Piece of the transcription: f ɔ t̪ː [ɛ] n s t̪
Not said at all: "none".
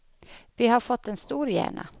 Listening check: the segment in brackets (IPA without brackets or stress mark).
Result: ɛ